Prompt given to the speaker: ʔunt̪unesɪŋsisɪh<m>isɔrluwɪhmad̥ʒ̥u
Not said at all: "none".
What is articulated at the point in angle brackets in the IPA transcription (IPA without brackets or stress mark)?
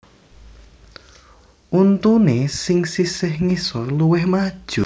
ŋ